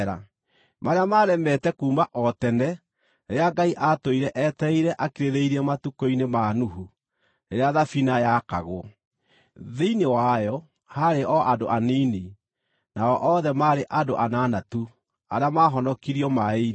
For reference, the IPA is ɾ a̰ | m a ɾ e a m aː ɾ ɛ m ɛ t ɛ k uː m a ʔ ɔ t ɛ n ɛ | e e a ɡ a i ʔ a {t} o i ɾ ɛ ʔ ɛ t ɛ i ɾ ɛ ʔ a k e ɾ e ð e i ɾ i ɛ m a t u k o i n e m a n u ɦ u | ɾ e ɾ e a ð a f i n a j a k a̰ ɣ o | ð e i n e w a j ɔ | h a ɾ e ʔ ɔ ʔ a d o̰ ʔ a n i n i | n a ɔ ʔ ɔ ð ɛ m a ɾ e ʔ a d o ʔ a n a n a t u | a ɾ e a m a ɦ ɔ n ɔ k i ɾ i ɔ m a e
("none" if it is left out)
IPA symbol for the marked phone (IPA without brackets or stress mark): t